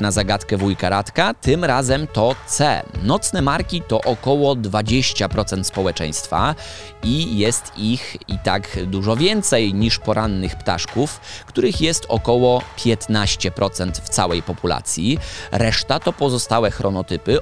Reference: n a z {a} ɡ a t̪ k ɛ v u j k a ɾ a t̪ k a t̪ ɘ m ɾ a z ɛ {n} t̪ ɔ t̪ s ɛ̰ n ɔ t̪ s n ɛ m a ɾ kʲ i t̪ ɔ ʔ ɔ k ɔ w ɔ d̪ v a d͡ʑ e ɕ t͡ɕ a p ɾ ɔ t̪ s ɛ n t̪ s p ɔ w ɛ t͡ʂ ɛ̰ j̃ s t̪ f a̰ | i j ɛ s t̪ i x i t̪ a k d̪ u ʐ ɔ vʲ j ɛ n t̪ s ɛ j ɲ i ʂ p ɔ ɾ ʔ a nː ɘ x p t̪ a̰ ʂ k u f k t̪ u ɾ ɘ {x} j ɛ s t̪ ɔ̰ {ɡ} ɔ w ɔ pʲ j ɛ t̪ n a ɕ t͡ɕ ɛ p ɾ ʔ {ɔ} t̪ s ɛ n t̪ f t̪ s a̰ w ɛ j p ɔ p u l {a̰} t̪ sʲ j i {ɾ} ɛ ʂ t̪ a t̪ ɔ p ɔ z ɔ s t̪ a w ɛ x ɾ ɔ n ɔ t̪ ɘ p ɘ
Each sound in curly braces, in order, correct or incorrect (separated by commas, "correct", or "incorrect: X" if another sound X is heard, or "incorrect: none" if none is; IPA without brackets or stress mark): correct, incorrect: m, correct, incorrect: k, correct, correct, correct